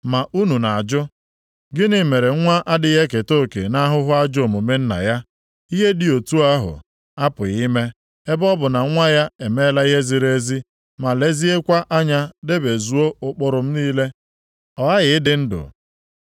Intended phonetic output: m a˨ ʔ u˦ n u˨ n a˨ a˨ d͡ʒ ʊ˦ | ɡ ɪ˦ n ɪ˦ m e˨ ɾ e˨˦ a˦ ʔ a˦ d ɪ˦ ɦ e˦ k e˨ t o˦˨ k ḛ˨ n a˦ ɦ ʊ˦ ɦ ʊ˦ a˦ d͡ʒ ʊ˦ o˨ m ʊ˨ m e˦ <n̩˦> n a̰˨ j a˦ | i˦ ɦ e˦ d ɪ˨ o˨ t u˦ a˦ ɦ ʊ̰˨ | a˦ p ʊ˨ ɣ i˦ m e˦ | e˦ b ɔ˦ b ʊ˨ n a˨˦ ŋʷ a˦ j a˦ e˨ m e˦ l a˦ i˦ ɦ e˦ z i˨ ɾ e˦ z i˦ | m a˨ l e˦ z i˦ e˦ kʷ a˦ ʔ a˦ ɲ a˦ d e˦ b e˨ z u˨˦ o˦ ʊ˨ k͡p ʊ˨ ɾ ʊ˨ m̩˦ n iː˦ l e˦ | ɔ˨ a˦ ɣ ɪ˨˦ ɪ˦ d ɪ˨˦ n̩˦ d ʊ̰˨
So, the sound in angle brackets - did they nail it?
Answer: yes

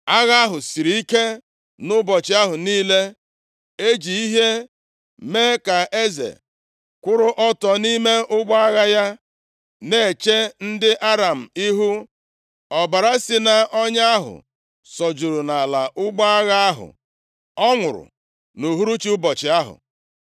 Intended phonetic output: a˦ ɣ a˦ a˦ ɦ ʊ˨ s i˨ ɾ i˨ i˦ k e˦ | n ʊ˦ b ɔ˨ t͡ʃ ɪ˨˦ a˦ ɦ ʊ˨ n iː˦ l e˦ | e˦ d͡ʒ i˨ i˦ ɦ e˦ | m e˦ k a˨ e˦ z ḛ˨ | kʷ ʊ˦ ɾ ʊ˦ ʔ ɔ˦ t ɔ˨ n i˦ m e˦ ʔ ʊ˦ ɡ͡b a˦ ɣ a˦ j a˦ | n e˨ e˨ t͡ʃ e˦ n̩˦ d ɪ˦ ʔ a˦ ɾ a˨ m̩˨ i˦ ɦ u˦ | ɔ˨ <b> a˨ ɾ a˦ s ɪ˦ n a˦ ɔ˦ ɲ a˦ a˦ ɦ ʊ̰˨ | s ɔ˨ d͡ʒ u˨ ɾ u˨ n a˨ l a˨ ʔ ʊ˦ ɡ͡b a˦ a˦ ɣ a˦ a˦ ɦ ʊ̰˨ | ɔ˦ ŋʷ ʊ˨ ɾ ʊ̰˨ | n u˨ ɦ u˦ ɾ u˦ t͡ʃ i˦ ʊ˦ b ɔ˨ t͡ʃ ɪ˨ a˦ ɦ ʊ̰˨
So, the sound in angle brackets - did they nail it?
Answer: yes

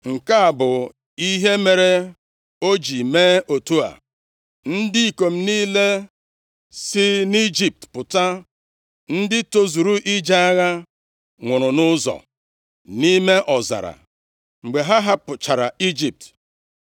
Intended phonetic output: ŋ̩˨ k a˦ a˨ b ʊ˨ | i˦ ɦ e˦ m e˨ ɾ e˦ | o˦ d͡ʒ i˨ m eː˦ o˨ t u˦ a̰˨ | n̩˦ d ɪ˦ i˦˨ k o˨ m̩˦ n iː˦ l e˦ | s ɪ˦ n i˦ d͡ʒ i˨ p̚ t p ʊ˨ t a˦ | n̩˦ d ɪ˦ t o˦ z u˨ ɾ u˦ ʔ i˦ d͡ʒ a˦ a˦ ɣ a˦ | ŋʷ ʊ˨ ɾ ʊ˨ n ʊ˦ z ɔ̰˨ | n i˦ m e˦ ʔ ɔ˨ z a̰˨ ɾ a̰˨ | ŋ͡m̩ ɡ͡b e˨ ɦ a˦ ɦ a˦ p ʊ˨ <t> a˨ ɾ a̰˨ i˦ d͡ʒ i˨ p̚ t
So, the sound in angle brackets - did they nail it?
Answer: no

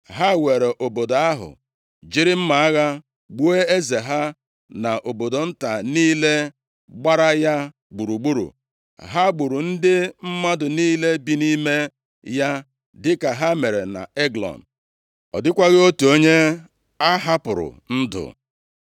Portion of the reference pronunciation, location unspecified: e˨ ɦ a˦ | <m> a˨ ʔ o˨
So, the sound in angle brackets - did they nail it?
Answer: no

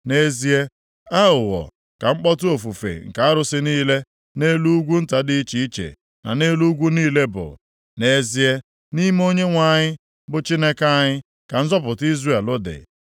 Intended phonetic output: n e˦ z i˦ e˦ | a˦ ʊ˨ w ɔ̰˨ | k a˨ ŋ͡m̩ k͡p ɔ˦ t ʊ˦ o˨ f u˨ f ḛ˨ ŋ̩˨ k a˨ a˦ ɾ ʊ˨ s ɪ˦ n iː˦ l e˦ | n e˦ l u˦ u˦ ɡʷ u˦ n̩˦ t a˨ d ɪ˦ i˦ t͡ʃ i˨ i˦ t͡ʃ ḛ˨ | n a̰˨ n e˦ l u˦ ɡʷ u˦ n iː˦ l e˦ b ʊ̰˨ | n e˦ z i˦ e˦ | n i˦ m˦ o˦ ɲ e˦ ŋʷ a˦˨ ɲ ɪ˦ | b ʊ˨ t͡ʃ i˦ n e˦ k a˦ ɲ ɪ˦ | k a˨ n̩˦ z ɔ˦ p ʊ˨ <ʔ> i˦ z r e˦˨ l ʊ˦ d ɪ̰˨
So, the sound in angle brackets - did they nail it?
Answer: no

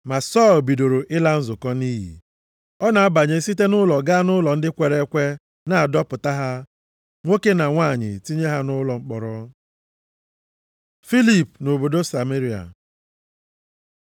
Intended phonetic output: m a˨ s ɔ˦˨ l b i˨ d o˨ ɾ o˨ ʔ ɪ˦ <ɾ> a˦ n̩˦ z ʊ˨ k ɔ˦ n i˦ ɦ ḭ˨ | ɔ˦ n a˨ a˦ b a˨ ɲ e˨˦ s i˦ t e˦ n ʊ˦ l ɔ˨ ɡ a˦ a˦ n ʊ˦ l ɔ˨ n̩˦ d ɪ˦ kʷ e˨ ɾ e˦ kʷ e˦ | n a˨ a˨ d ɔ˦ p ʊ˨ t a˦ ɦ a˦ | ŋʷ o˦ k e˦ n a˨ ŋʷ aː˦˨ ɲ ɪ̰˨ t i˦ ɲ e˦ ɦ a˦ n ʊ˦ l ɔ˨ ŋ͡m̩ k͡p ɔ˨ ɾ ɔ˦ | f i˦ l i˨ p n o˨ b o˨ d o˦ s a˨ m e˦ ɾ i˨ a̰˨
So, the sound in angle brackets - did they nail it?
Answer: no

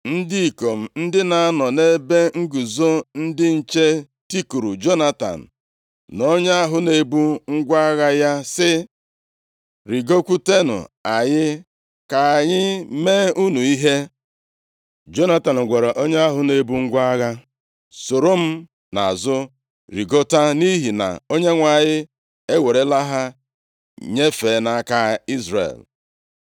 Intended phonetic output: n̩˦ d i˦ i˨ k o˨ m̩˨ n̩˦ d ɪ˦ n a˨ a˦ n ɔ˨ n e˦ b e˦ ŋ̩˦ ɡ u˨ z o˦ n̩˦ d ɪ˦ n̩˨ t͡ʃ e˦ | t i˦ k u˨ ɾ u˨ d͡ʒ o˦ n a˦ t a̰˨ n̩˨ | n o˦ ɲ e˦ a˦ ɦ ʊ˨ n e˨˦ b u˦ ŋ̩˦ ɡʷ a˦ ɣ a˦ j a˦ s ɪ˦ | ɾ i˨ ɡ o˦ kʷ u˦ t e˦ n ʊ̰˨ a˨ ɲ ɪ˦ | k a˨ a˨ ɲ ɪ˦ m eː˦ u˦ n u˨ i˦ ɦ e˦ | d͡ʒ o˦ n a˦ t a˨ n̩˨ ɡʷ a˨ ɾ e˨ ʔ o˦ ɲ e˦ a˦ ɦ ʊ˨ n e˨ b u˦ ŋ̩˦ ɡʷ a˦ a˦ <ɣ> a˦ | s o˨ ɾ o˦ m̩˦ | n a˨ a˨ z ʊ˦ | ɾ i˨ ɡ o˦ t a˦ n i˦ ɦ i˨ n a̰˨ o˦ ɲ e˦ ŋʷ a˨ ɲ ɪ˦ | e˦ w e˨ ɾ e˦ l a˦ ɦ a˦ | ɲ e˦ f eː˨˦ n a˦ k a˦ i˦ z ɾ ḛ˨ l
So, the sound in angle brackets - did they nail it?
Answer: yes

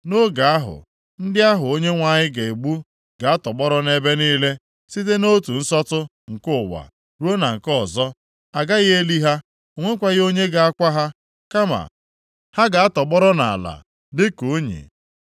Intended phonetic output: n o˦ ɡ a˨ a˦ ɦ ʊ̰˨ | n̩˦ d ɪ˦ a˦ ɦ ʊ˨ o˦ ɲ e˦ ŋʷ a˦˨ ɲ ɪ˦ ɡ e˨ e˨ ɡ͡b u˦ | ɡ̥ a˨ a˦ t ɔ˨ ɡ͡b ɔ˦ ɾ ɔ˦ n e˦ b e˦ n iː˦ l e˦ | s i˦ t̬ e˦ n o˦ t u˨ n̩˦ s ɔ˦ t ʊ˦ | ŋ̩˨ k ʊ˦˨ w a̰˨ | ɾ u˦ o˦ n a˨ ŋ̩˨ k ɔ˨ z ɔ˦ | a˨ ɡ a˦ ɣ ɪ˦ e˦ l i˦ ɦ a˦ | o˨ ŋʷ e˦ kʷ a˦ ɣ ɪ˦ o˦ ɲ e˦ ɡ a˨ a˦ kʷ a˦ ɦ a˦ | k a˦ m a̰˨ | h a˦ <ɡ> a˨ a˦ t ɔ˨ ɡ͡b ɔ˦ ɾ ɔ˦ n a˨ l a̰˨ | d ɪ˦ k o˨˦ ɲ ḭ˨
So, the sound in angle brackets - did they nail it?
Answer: yes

